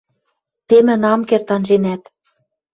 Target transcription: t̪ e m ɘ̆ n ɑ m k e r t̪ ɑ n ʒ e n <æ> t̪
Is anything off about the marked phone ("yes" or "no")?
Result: no